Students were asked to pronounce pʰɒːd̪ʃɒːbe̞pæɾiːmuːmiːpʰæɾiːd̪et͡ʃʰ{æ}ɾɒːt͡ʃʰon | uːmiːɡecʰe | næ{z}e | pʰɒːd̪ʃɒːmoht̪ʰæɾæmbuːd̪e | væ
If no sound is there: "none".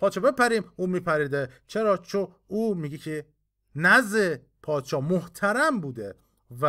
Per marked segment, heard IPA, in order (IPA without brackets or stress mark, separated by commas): e, z